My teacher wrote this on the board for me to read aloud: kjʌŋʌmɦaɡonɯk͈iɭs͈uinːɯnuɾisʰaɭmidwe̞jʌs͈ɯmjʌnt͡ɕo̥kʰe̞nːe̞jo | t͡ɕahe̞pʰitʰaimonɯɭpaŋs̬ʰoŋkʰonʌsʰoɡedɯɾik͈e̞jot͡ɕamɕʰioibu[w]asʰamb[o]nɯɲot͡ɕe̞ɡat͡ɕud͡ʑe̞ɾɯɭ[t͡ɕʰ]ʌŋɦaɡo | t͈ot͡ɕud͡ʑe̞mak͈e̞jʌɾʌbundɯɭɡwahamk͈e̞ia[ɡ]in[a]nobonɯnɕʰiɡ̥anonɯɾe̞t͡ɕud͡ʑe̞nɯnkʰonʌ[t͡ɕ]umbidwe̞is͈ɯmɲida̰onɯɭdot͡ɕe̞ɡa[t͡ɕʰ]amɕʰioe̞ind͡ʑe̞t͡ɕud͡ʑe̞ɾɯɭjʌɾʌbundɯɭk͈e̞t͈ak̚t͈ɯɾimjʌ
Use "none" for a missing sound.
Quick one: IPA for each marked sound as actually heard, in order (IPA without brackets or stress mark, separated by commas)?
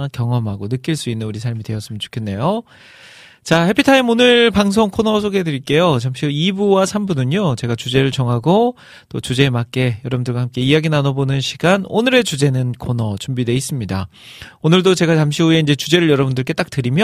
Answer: w, u, t͡ɕ, ɡ, a, t͡ɕ, t͡ɕ